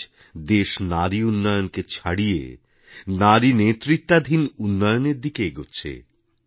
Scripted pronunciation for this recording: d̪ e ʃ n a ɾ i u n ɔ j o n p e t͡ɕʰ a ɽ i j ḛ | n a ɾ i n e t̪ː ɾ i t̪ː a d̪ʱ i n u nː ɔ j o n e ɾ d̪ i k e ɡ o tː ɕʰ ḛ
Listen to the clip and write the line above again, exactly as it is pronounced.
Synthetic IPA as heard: d̪ e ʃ n a ɾ i u nː ɔ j o n k e t͡ɕʰ a ɽ i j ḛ | n a ɾ i n e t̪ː ɾ i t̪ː a d̪ʱ i n u nː ɔ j o n e ɾ d̪ i k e ɡ o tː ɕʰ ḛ